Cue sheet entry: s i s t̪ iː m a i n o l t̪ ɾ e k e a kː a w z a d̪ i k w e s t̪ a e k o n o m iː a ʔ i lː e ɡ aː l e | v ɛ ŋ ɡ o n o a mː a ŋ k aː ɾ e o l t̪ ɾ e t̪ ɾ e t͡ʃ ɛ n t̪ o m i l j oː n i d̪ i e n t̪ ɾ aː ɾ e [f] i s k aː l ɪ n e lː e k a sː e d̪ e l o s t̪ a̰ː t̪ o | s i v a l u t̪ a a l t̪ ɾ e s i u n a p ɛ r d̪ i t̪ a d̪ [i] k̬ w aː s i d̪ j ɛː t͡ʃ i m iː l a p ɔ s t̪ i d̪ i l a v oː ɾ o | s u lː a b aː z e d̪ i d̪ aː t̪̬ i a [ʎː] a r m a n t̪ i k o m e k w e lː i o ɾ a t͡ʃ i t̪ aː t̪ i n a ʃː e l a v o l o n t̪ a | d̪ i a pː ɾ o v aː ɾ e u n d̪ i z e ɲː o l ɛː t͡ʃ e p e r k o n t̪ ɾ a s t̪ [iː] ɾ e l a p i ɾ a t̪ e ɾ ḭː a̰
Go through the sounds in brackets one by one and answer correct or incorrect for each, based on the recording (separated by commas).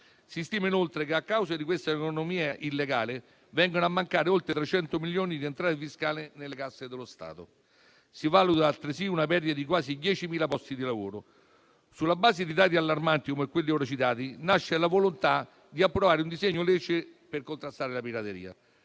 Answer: correct, correct, incorrect, incorrect